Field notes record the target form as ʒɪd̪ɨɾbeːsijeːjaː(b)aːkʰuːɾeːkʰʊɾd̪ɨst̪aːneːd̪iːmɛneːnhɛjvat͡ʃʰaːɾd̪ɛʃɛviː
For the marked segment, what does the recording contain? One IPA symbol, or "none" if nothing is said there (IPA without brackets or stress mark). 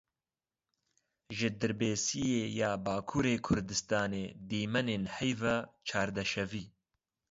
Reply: b